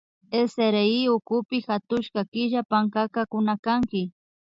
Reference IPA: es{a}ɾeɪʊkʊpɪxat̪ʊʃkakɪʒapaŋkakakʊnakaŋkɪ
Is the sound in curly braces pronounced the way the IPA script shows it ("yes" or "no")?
no